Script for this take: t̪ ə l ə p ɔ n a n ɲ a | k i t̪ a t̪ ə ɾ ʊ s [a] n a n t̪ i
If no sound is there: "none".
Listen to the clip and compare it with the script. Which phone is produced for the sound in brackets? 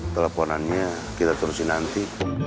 i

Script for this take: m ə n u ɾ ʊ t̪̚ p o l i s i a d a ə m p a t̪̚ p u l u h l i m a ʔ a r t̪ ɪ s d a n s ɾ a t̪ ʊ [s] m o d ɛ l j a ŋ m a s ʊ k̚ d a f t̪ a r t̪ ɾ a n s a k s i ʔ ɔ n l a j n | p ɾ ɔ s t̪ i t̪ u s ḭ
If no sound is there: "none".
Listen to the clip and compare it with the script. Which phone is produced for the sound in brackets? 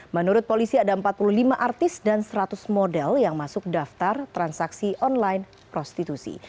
s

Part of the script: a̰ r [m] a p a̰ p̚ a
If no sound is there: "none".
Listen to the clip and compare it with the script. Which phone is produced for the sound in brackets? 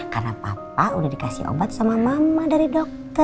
n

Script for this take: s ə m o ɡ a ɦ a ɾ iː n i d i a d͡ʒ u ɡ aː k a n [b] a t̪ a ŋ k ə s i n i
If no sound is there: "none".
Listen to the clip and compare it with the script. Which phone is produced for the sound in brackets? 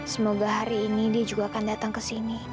d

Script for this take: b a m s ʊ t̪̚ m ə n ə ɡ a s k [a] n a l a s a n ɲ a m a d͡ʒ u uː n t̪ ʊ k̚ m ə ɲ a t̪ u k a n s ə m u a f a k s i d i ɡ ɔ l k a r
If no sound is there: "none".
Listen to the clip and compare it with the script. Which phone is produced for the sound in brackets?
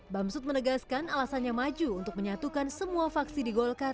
a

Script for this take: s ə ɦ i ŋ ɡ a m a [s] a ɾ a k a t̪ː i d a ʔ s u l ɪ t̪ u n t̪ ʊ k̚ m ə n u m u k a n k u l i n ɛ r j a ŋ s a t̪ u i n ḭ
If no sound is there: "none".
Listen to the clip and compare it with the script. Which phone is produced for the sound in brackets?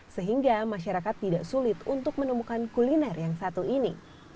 ʃ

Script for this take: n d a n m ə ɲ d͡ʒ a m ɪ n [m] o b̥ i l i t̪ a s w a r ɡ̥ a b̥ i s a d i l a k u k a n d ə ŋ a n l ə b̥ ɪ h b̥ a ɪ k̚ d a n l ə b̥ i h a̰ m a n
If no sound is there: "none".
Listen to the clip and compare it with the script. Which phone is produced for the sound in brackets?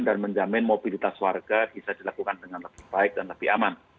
m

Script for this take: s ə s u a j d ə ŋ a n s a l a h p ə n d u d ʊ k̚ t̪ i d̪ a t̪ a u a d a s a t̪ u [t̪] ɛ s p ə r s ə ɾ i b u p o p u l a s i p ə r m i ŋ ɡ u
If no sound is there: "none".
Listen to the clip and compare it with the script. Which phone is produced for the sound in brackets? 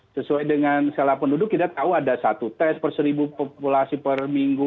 t̪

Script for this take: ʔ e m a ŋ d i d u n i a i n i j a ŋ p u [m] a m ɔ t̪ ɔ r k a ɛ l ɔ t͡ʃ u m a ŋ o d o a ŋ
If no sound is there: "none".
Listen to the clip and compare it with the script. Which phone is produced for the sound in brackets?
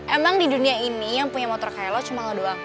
ɲ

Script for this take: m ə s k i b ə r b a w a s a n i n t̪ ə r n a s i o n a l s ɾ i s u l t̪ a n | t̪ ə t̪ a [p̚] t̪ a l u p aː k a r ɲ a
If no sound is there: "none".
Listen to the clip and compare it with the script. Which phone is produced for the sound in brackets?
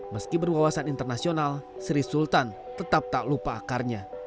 p̚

